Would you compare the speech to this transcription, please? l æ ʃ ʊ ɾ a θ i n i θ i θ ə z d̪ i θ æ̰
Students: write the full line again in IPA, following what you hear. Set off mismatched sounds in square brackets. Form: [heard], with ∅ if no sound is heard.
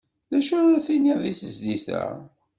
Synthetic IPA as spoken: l æ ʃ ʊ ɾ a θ i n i [ð] i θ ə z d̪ i θ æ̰